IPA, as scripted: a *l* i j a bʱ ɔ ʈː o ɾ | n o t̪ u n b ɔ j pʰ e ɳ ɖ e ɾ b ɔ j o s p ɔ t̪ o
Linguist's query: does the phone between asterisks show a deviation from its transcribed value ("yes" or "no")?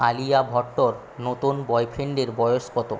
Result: no